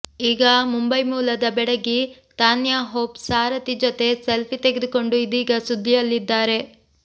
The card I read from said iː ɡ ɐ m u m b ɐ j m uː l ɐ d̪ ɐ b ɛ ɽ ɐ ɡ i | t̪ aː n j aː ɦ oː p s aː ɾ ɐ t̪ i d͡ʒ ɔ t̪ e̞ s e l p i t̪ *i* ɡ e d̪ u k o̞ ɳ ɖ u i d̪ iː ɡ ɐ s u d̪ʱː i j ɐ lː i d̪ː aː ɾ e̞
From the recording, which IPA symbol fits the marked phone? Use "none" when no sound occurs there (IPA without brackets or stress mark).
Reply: e